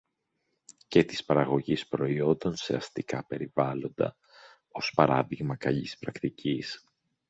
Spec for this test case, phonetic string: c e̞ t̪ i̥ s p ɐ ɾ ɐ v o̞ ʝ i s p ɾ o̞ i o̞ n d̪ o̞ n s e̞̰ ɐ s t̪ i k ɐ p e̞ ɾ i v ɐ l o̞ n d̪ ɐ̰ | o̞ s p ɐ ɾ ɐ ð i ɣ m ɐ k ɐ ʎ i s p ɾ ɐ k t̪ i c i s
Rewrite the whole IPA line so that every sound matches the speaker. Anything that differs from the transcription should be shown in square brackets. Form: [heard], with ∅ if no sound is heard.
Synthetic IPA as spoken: c e̞ t̪ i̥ s p ɐ ɾ ɐ [ɣ] o̞ ʝ i s p ɾ o̞ i o̞ n d̪ o̞ n s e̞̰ ɐ s t̪ i k ɐ p e̞ ɾ i v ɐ l o̞ n d̪ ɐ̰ | o̞ s p ɐ ɾ ɐ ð i ɣ m ɐ k ɐ ʎ i s p ɾ ɐ k t̪ i c i s